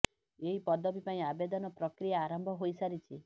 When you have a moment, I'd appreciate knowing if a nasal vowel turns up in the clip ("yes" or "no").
yes